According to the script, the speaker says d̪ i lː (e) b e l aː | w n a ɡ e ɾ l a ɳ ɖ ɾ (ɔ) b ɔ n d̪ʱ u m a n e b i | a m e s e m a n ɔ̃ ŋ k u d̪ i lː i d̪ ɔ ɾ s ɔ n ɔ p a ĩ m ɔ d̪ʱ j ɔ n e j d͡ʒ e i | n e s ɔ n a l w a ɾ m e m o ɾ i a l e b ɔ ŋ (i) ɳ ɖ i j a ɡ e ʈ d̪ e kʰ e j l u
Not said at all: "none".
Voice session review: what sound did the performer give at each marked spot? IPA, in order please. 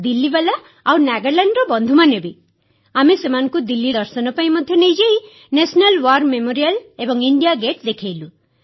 i, ɔ, i

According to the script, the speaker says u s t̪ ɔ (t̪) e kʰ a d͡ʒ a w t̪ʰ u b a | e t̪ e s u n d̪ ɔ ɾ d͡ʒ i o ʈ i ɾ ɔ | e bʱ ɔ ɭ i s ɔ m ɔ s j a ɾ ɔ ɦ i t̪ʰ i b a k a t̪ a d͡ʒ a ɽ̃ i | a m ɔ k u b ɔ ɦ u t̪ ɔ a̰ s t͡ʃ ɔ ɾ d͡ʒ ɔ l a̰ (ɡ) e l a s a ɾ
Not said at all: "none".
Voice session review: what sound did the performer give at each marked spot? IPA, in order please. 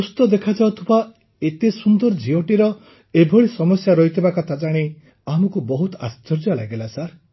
d̪, ɡ

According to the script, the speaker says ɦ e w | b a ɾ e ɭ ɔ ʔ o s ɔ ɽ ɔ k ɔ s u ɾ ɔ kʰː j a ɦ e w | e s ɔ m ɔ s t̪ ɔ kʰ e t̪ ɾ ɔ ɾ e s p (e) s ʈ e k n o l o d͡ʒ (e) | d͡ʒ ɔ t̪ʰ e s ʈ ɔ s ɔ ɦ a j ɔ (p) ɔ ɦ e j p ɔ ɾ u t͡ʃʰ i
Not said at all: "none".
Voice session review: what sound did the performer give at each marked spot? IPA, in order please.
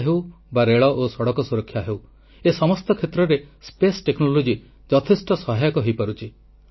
e, i, k

